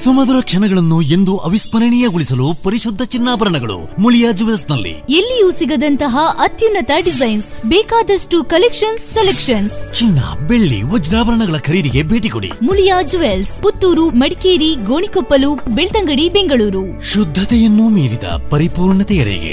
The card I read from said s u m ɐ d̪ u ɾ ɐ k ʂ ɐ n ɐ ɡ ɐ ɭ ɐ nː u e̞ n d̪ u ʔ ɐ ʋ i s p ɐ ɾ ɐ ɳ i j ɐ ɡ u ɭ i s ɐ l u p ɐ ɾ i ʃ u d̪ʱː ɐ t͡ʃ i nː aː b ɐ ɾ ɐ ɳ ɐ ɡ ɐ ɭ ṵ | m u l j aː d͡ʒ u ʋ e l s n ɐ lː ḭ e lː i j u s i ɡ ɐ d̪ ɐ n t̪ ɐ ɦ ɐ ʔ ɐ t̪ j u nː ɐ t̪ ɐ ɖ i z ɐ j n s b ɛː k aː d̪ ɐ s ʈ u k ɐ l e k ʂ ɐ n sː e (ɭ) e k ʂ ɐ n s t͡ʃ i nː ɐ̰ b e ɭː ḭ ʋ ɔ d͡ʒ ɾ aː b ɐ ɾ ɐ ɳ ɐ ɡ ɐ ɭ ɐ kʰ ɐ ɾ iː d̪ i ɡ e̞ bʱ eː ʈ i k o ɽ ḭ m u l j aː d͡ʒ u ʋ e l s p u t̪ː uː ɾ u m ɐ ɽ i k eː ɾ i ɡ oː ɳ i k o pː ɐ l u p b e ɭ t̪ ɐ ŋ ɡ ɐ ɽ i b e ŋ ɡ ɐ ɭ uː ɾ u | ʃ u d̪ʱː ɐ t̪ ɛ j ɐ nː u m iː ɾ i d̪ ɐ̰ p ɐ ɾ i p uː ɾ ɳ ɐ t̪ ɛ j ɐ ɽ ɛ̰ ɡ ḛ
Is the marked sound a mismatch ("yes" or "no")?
yes